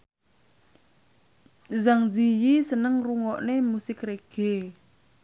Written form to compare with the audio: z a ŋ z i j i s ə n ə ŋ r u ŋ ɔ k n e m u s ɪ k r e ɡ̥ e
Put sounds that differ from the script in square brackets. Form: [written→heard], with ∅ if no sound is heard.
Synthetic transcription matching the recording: z a ŋ z i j i s ə n ə ŋ r u ŋ ɔ [k→ʔ] n e m u s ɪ k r e ɡ̥ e